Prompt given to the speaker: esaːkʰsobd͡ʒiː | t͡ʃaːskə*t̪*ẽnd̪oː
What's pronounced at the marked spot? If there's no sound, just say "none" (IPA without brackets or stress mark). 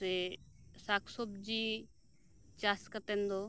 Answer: t̪